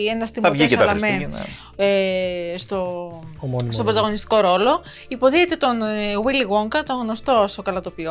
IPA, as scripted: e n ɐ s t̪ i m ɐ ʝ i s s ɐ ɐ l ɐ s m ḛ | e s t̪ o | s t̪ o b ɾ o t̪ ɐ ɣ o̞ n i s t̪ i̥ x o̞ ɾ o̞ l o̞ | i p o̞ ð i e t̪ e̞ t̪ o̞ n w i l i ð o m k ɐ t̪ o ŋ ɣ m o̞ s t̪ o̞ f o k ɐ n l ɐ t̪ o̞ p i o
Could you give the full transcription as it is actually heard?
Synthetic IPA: e n ɐ s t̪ i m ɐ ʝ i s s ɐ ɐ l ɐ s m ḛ | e s t̪ o | s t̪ o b ɾ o t̪ ɐ ɣ o̞ n i s t̪ i̥ k o̞ ɾ o̞ l o̞ | i p o̞ ð i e t̪ e̞ t̪ o̞ n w i l i ɣ o ŋ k ɐ t̪ o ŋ ɣ n o̞ s t̪ o̞ s o k ɐ l ɐ t̪ o̞ p i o